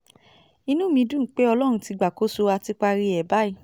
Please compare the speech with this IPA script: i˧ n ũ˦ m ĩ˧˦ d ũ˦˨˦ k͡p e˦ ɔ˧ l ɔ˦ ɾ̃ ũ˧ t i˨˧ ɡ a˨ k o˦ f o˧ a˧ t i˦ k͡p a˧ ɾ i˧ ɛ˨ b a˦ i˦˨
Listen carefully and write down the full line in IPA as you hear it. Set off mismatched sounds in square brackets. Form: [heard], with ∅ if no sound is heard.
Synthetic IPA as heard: i˧ n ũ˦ m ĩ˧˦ d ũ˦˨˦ k͡p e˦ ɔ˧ l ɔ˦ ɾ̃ ũ˧ t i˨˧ [ɡ͡b] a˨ k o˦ [s] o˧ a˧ t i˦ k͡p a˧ ɾ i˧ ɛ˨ b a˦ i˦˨